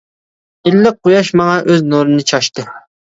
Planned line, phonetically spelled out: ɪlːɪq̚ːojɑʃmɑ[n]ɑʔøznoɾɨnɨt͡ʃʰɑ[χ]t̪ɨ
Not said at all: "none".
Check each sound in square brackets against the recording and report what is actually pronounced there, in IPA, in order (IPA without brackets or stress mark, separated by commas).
ŋ, ʃ